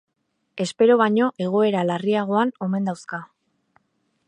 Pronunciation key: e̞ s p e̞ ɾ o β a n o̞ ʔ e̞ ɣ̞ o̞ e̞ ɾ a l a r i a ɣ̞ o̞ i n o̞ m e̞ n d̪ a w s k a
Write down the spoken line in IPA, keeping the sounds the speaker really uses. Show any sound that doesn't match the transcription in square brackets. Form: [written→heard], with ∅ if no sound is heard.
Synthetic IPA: e̞ s p e̞ ɾ o β a [n→ɲ] o̞ ʔ e̞ ɣ̞ o̞ e̞ ɾ a l a r i a ɣ̞ o̞ [i→a] n o̞ m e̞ n d̪ a w s k a